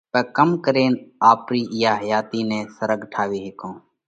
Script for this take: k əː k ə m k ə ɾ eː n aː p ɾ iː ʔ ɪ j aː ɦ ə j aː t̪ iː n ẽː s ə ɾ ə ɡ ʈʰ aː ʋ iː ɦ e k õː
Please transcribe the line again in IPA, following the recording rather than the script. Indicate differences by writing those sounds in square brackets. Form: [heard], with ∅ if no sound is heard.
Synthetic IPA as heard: [p] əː k ə m k ə ɾ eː n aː p ɾ iː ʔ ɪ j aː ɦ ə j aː t̪ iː n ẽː s ə ɾ ə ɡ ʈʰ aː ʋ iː ɦ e k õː

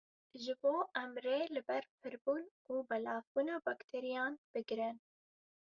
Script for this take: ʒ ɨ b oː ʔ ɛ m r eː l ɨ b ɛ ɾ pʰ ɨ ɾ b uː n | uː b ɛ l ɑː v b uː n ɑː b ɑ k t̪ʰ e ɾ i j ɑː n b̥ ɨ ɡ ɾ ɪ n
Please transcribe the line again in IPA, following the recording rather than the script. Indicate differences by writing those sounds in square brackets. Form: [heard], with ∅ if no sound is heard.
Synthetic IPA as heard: ʒ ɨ b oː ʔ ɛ m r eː l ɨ b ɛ ɾ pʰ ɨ ɾ b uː n | uː b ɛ l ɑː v b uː n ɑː b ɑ k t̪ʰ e ɾ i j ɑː n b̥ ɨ ɡ ɾ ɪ n

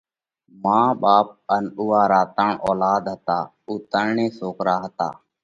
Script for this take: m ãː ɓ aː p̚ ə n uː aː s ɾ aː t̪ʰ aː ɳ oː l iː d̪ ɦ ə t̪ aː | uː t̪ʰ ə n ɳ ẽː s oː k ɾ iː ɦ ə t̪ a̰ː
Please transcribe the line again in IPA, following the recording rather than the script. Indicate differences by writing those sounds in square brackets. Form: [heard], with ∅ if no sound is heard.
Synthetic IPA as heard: m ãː ɓ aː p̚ ə n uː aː [∅] ɾ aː [t̪] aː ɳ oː l [aː] d̪ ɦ ə t̪ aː | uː [t̪] ə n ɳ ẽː s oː k ɾ [aː] ɦ ə t̪ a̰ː

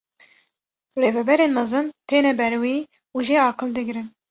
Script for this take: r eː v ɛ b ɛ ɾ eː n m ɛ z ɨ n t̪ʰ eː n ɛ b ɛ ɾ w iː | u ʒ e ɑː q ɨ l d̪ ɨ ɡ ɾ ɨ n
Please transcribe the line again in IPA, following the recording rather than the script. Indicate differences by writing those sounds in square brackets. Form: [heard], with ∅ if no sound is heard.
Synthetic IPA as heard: r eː v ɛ b ɛ ɾ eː n m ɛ z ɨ n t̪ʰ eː n ɛ b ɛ ɾ w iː | u ʒ e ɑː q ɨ l d̪ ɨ ɡ ɾ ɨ n

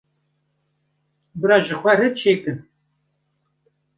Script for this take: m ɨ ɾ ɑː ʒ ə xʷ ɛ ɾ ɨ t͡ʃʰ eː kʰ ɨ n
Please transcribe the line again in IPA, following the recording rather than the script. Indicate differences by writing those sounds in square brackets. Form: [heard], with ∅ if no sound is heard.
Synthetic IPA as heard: [b] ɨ ɾ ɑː ʒ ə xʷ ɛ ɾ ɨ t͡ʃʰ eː [k] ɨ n

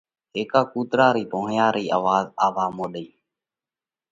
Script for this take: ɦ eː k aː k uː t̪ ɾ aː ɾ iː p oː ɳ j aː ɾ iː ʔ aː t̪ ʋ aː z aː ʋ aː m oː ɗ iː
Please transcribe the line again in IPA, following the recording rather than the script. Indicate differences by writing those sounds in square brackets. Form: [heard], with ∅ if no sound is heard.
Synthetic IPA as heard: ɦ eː k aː k uː t̪ ɾ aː ɾ iː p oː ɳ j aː ɾ iː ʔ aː [∅] ʋ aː z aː ʋ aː m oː ɗ iː

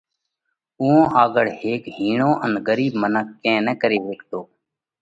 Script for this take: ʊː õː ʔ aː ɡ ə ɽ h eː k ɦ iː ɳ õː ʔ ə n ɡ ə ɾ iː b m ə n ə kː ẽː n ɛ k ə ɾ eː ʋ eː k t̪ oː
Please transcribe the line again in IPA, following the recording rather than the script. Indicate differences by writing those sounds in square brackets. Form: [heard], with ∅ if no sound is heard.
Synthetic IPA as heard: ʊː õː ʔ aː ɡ ə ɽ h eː k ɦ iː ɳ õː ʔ ə n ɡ ə ɾ iː b m ə n ə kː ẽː n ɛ k ə ɾ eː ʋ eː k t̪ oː

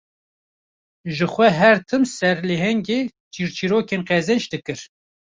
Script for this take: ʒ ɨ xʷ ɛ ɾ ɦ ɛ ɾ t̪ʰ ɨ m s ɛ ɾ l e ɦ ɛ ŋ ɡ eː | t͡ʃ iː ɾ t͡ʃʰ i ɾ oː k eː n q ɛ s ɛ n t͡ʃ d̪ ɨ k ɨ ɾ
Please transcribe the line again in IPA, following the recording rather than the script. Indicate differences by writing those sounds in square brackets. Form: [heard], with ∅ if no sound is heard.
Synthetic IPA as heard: ʒ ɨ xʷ ɛ [∅] ɦ ɛ ɾ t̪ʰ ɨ m s ɛ ɾ l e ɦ ɛ ŋ ɡ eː | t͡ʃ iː ɾ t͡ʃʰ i ɾ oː k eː n q ɛ [z] ɛ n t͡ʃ d̪ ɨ k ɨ ɾ

